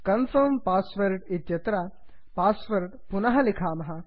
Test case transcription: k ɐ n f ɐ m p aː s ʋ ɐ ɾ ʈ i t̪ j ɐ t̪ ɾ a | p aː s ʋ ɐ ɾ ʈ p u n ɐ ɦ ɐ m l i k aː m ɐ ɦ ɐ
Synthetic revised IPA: k ɐ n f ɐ m p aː s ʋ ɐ ɾ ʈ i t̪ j ɐ t̪ ɾ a | p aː s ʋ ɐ ɾ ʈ p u n ɐ ɦ ɐ l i kʰ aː m ɐ ɦ ɐ